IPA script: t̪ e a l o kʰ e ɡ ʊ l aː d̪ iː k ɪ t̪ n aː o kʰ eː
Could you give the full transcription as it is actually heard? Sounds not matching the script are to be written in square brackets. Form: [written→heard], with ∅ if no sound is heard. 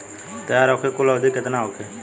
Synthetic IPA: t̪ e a [l→ɾ] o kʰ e [ɡ→k] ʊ l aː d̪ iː k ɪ t̪ n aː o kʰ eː